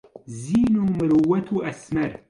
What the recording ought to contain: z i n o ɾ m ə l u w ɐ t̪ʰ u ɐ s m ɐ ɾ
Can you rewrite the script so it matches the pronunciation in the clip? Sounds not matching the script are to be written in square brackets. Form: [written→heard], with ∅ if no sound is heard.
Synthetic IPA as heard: z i n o [ɾ→∅] m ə [l→ɾ] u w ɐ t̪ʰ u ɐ s m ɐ ɾ